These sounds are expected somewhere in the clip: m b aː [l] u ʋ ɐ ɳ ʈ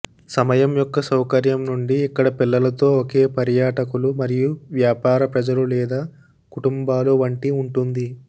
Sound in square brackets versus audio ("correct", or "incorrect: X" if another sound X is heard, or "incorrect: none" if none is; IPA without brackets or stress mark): correct